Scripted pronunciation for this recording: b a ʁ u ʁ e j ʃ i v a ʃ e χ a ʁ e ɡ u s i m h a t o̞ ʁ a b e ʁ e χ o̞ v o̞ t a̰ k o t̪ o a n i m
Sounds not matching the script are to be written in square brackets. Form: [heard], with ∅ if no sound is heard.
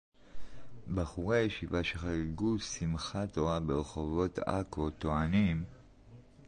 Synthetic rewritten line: b a [χ] u ʁ e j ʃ i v a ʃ e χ a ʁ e ɡ u s i m [χ] a t o̞ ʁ a b e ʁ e χ o̞ v o̞ t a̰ k o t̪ o a n i m